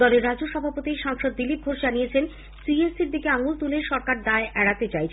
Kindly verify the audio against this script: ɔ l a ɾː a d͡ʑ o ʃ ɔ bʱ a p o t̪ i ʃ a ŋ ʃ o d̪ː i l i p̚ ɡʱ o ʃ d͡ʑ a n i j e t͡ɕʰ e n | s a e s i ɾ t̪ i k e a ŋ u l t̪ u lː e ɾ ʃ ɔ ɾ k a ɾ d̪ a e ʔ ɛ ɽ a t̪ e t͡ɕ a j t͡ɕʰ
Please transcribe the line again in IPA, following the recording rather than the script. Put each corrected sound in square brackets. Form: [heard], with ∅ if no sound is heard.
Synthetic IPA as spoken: ɔ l [e] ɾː a d͡ʑ o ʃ ɔ bʱ a p o t̪ i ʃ a ŋ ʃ o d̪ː i l i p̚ ɡʱ o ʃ d͡ʑ a n i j e t͡ɕʰ e n | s [i] e s i ɾ [d̪] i k e a ŋ u l t̪ u [l] e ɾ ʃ ɔ ɾ k a ɾ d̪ a e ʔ ɛ ɽ a t̪ e t͡ɕ a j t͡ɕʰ